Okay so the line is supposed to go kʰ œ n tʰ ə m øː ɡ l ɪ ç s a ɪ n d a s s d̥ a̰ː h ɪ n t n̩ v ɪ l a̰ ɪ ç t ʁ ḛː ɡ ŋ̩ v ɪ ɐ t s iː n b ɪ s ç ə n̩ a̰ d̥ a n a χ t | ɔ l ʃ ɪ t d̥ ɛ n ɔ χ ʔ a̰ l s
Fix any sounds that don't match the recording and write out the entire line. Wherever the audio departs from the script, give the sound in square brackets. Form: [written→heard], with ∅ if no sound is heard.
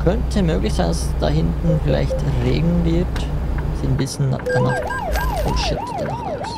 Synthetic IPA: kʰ œ n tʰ ə m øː ɡ l ɪ ç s a ɪ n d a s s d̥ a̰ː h ɪ n t n̩ [v→f] ɪ l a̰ ɪ ç t ʁ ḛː ɡ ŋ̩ v ɪ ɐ t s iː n b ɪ s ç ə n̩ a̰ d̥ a n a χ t | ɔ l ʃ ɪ t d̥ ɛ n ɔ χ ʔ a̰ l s